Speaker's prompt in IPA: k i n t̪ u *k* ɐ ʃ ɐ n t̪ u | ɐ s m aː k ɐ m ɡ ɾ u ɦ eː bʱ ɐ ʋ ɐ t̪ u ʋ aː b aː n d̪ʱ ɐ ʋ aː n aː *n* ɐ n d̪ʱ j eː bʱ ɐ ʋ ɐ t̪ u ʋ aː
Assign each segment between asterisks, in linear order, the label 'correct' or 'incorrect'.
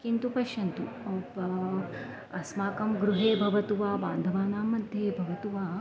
incorrect, incorrect

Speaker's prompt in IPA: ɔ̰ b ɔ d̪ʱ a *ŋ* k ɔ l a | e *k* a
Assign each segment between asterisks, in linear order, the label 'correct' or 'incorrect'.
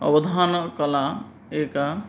incorrect, correct

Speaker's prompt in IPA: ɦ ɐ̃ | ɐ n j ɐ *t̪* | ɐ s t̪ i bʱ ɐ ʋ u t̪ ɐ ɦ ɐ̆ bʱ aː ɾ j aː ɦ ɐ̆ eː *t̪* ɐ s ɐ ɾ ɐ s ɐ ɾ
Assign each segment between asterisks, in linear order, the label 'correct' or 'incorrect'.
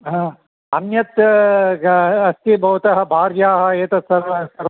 correct, correct

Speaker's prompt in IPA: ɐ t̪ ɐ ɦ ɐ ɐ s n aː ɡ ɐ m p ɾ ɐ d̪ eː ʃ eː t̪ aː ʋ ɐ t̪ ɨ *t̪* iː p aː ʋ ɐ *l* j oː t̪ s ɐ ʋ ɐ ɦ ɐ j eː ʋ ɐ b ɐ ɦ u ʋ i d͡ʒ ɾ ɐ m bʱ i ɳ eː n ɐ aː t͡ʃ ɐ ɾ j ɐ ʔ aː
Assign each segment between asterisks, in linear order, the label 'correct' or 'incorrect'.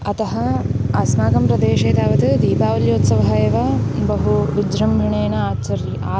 incorrect, correct

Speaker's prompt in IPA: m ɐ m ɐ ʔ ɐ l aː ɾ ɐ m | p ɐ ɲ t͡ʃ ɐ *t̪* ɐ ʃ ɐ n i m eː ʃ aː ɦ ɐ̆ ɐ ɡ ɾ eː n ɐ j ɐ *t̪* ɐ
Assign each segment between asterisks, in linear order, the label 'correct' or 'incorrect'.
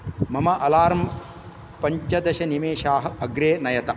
incorrect, correct

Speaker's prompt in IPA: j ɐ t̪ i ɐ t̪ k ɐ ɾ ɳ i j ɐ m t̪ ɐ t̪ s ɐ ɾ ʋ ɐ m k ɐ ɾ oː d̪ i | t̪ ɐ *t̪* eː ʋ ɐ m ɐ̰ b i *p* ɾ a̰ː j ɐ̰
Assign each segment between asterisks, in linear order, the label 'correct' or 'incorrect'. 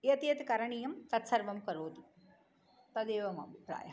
incorrect, correct

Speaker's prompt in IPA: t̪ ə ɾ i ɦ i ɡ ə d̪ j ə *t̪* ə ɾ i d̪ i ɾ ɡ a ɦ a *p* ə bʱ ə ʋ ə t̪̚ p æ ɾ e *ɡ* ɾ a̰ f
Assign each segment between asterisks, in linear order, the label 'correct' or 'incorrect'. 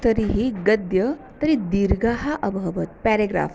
correct, incorrect, correct

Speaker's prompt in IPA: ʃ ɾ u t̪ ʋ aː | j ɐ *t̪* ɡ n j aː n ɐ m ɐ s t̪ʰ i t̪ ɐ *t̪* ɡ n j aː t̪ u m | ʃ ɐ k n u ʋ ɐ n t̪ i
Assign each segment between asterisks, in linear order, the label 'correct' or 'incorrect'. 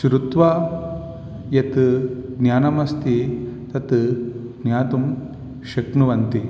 correct, correct

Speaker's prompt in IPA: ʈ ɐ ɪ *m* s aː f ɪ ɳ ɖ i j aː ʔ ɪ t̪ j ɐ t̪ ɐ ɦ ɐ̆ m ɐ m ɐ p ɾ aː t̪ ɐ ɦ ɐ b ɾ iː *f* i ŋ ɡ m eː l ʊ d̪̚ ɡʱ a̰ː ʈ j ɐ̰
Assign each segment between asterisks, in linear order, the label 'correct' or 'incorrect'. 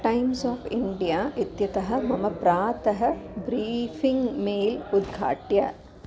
correct, correct

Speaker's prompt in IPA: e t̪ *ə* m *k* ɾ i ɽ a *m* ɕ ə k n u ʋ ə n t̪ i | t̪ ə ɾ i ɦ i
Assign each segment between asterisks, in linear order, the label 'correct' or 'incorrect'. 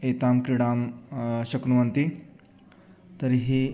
incorrect, correct, correct

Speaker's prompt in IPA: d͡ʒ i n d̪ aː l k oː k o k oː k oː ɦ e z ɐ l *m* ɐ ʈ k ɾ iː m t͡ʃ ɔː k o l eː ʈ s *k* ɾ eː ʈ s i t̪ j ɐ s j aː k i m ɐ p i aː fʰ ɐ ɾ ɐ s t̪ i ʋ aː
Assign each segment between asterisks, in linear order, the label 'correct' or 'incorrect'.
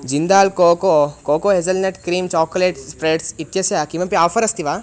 incorrect, incorrect

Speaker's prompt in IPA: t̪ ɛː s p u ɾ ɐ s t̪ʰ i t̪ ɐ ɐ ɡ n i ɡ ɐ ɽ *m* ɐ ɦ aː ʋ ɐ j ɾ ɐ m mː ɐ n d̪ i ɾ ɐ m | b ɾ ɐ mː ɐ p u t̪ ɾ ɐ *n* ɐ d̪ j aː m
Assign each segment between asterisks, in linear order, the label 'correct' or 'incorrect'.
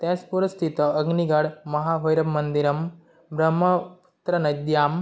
correct, correct

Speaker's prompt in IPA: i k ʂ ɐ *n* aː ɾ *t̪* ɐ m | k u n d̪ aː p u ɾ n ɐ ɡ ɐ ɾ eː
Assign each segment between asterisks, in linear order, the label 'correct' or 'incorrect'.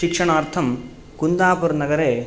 incorrect, incorrect

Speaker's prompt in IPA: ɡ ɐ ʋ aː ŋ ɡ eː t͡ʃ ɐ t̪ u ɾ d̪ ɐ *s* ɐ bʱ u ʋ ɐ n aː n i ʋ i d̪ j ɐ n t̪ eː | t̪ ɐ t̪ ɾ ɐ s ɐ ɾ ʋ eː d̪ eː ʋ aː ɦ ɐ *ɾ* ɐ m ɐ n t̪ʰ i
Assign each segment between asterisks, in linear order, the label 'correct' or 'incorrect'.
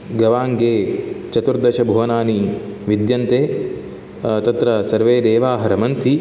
incorrect, correct

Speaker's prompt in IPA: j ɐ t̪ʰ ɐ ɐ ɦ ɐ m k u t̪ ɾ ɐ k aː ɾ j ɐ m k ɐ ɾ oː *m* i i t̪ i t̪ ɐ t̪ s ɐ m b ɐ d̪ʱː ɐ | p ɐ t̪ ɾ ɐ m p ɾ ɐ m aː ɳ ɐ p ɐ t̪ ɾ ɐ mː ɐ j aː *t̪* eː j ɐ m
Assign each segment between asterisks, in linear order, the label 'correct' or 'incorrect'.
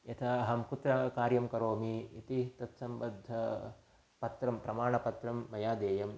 correct, incorrect

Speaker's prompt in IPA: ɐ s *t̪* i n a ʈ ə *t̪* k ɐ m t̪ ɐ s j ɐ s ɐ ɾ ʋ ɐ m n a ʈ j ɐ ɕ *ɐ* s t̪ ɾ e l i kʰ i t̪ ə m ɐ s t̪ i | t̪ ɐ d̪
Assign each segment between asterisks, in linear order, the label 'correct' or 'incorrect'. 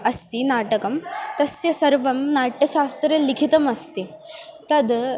correct, incorrect, incorrect

